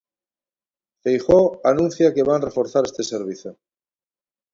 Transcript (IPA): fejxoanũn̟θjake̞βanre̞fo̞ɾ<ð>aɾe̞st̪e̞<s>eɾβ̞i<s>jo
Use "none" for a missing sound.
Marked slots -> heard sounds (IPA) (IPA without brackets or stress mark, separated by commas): θ, s, θ